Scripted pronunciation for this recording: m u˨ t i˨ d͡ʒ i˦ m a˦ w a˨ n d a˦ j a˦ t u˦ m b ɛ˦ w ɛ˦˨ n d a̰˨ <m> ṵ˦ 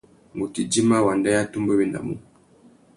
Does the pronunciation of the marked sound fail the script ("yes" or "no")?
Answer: no